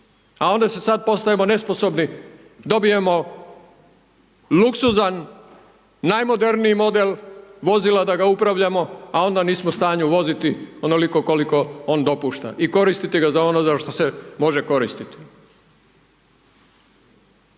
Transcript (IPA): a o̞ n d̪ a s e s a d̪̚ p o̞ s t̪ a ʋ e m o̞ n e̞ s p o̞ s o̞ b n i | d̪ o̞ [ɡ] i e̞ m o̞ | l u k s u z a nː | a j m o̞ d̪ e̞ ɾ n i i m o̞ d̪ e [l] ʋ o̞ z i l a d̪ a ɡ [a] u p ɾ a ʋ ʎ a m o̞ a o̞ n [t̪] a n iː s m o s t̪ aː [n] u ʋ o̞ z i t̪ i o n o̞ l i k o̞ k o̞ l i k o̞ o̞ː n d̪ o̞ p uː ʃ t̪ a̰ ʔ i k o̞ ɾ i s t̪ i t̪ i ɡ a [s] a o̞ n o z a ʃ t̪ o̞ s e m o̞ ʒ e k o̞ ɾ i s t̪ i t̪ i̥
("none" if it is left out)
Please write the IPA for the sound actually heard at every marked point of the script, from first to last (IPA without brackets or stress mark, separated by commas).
b, l, a, d̪, ɲ, z